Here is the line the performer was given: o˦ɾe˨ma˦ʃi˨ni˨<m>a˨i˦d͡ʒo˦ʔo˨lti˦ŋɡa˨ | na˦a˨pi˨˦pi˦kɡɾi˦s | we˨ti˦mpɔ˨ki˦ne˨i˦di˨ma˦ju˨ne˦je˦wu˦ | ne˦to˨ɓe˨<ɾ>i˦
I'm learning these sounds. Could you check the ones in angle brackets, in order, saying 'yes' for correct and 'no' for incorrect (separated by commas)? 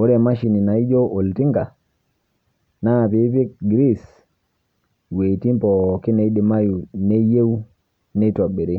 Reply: no, yes